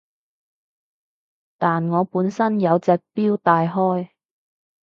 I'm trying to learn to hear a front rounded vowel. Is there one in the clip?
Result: no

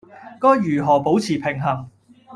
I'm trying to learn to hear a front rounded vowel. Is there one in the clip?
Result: yes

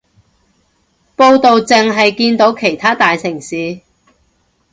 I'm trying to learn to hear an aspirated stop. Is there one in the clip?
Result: yes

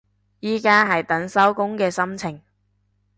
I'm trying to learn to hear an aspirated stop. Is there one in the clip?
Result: yes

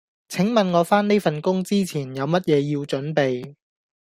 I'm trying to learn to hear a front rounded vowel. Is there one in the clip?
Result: no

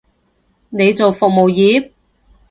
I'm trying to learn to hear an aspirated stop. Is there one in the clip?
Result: no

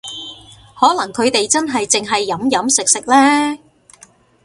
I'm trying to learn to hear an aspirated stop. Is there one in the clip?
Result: yes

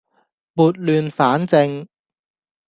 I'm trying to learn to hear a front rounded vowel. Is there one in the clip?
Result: yes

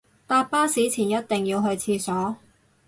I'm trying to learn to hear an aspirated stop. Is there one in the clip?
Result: yes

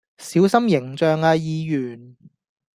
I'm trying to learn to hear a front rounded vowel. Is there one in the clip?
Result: yes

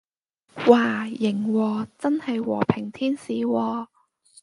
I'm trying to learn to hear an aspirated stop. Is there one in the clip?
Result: yes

